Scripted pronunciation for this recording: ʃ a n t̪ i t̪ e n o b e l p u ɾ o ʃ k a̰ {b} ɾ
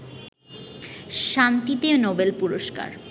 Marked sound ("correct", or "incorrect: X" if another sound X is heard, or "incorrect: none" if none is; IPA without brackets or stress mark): incorrect: none